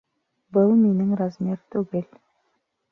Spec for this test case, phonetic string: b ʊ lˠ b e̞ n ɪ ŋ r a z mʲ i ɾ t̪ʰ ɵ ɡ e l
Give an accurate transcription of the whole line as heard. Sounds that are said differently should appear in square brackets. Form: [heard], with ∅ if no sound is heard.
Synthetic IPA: b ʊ lˠ [m] e̞ n ɪ ŋ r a z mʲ [e] ɾ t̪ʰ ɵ ɡ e l